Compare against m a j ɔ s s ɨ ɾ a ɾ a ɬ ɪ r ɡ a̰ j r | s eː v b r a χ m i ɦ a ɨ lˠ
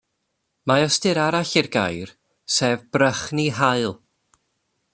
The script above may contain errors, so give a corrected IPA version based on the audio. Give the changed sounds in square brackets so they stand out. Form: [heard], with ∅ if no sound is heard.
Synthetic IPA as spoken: m a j ɔ s [t] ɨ ɾ a ɾ a ɬ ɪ r ɡ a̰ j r | s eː v b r [ə] χ [n] i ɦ a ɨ lˠ